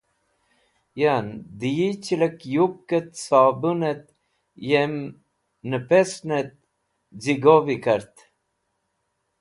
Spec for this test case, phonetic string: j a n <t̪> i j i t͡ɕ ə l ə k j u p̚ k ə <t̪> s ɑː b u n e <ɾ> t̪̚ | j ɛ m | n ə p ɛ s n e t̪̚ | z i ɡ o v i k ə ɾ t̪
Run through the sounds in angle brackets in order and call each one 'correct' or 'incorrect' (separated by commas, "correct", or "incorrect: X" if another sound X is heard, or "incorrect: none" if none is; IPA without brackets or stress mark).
incorrect: d̪, correct, incorrect: none